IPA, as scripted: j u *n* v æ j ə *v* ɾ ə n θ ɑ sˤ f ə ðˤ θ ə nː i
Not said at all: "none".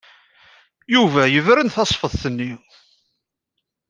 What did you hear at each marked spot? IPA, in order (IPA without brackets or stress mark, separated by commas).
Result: none, v